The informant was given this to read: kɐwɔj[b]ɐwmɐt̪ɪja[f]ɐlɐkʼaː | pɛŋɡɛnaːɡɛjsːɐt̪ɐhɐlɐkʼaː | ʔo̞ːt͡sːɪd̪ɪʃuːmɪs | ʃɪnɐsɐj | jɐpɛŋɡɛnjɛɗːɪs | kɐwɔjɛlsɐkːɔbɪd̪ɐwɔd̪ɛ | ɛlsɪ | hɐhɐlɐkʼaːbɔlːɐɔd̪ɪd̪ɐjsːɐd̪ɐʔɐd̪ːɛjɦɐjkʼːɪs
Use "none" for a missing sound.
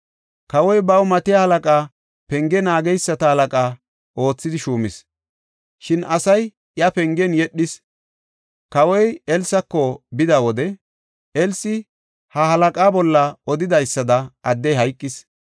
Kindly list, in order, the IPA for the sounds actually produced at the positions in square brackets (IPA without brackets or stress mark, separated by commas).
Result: b, h